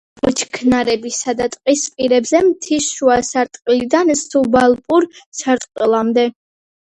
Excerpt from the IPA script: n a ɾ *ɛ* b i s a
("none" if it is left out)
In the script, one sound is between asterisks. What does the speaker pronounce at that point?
ɛ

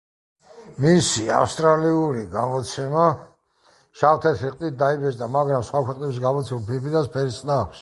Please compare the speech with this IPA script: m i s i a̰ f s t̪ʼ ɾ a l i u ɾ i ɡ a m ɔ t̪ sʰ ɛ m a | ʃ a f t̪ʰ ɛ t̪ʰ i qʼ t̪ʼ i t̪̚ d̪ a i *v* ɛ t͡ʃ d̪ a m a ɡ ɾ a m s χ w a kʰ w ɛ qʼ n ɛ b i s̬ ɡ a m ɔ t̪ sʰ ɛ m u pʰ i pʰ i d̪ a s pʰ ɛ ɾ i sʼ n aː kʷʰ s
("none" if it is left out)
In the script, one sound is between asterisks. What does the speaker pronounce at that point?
b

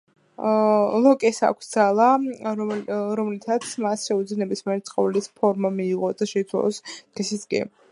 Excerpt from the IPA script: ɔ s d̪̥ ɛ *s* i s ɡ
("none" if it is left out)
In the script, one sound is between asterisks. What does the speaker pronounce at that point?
s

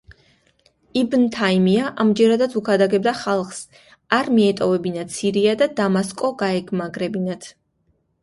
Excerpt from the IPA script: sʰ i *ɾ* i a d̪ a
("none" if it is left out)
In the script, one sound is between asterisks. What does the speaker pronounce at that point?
ɾ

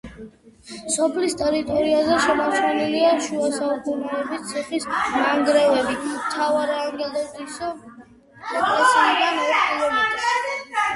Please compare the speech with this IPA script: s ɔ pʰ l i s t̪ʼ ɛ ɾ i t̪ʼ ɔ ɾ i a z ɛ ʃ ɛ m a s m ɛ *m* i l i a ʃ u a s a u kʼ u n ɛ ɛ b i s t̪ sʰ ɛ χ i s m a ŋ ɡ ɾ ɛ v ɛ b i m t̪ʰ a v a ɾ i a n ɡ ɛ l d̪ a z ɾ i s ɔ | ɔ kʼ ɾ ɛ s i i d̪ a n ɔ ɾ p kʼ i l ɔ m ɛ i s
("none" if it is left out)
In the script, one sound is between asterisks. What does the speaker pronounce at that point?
n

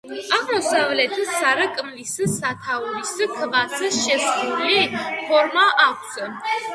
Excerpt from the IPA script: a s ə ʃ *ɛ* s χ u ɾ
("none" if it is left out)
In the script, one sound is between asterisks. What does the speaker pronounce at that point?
ɛ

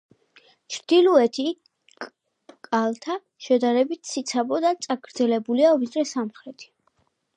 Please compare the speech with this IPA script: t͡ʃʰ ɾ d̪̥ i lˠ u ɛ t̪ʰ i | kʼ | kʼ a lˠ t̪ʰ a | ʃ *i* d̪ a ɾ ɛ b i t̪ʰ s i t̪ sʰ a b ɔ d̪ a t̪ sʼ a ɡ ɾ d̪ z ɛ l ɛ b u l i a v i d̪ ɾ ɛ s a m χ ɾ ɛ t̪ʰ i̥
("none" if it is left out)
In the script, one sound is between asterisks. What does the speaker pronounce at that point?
ɛ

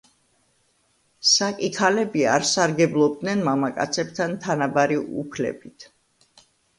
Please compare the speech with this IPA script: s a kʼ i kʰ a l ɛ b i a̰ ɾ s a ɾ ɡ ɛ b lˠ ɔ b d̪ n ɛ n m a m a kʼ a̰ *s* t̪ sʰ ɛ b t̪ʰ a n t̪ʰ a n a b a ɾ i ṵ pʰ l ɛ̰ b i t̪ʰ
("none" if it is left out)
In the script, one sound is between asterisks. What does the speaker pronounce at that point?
none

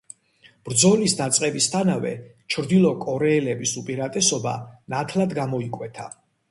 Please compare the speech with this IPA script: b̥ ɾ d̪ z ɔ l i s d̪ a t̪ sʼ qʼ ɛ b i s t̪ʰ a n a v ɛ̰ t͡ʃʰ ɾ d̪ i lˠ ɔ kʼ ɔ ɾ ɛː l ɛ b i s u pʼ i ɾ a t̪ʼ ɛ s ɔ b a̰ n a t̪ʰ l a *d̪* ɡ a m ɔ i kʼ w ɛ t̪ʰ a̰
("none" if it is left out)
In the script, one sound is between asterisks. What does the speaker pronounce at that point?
d̪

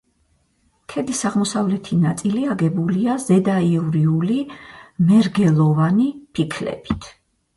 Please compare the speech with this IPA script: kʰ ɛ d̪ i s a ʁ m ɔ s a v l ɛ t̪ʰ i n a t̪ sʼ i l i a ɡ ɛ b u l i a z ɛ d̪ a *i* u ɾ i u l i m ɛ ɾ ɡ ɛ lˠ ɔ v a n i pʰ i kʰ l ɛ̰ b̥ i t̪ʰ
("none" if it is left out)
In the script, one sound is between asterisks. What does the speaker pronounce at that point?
i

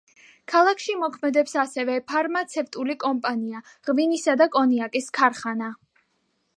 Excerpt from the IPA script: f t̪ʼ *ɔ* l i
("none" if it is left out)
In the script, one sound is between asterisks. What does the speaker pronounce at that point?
u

